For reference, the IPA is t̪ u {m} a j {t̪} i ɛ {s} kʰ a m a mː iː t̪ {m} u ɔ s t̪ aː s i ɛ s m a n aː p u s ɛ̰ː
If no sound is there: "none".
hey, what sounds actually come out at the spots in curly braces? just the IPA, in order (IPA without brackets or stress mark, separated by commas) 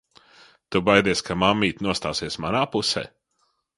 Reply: b, d̪, s, n